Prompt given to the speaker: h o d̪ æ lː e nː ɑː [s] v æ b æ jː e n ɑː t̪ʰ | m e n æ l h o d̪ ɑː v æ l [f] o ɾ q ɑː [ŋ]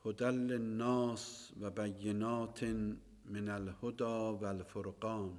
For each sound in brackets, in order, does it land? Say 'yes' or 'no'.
yes, yes, no

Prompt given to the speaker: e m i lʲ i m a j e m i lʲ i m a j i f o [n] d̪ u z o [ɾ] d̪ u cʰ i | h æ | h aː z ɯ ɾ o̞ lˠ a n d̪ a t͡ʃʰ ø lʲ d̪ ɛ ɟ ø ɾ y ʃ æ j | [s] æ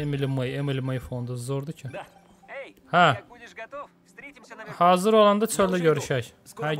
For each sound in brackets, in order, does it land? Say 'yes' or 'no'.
yes, yes, no

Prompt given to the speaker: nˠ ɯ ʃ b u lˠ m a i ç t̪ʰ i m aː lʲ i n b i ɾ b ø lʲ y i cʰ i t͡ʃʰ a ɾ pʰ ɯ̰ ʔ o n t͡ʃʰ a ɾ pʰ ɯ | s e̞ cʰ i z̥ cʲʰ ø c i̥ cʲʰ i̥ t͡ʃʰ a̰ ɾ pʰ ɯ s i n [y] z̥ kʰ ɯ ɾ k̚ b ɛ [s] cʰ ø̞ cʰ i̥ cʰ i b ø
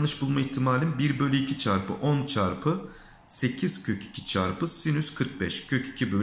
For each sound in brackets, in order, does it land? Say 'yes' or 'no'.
yes, no

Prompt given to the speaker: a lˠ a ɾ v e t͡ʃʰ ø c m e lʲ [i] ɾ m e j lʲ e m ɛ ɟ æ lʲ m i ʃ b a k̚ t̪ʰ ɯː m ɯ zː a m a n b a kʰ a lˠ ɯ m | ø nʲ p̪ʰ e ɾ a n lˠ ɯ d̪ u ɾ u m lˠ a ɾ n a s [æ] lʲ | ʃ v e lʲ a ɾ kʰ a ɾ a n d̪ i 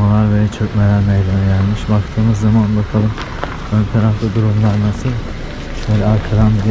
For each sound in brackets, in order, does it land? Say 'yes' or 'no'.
no, no

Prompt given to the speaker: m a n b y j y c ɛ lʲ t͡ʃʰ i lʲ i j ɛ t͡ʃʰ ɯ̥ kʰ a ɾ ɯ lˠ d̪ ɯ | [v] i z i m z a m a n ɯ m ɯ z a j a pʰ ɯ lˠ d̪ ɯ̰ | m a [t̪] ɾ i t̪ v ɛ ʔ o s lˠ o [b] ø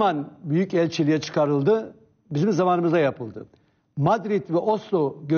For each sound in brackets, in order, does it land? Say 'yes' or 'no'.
no, no, no

